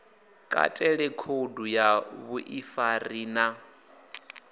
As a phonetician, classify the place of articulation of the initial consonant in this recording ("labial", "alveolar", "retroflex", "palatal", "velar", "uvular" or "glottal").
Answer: velar